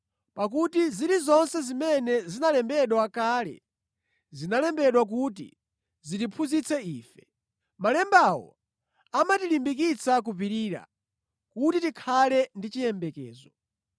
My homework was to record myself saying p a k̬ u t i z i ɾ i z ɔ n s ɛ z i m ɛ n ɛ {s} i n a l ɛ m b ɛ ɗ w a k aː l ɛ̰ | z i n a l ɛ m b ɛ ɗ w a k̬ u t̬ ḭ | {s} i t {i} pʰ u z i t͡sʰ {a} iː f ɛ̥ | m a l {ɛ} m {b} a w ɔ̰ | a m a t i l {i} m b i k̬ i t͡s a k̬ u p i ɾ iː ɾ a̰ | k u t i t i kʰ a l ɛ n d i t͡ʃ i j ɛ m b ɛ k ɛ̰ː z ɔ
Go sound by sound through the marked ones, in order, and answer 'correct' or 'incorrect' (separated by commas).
incorrect, incorrect, correct, incorrect, correct, correct, correct